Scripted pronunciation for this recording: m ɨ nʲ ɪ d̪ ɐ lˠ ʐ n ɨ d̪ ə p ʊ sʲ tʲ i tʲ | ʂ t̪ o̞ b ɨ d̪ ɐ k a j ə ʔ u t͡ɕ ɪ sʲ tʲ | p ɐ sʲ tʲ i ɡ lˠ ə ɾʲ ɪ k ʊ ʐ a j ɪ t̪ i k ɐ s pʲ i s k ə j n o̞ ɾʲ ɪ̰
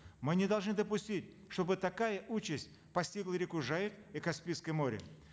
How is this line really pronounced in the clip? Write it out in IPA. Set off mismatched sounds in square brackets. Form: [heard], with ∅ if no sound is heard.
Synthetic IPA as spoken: m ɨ nʲ ɪ d̪ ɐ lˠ ʐ n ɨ d̪ ə p ʊ sʲ tʲ i tʲ | ʂ t̪ o̞ b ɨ [t̪] ɐ k a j ə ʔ u t͡ɕ ɪ sʲ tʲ | p ɐ sʲ tʲ i ɡ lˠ ə ɾʲ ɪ k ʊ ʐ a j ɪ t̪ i k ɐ s pʲ i s k ə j [m] o̞ ɾʲ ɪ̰